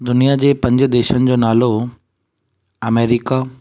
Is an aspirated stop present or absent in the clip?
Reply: absent